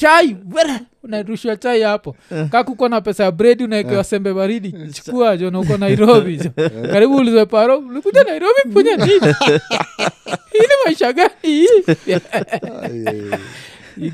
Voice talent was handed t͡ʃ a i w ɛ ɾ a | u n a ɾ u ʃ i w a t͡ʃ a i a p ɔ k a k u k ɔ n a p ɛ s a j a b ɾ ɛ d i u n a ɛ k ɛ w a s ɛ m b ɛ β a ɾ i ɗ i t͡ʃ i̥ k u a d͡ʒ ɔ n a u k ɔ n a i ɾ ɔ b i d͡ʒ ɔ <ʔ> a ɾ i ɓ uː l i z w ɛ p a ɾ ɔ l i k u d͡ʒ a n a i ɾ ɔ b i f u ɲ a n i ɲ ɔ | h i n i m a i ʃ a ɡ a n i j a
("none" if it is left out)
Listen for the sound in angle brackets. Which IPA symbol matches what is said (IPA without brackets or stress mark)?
k